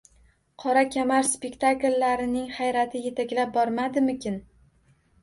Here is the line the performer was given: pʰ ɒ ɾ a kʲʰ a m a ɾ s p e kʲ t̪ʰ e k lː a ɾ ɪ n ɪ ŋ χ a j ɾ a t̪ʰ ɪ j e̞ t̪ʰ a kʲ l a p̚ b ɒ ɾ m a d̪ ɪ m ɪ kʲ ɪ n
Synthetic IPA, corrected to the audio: qʰ ɒ ɾ a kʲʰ a m a ɾ s p e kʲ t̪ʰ a k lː a ɾ ɪ n ɪ ŋ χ a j ɾ a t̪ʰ ɪ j e̞ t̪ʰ a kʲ l a p̚ b ɒ ɾ m a d̪ ɪ m ɪ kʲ ɪ n